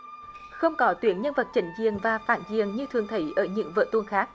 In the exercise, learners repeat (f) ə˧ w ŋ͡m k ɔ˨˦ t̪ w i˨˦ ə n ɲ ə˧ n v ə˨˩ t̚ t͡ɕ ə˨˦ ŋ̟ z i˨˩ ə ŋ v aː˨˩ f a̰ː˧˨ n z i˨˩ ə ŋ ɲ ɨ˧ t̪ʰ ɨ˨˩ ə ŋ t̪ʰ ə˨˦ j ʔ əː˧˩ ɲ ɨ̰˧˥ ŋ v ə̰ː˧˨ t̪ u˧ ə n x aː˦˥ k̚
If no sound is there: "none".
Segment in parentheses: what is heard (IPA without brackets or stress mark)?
x